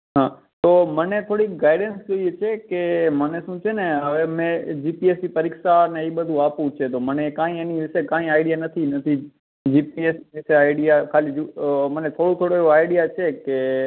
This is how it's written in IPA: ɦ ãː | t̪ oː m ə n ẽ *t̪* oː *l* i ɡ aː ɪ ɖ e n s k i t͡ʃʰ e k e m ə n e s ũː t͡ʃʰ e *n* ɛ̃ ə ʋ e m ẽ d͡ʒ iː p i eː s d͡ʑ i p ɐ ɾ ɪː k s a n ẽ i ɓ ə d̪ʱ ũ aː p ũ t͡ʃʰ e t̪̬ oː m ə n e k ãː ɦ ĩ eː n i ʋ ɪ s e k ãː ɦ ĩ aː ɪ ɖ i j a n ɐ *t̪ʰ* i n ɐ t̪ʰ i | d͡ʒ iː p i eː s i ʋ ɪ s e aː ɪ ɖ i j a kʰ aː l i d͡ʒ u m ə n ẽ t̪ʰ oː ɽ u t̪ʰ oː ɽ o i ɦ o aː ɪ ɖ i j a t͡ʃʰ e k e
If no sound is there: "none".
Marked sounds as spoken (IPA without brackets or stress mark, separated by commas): t̪ʰ, ɽ, n, t̪ʰ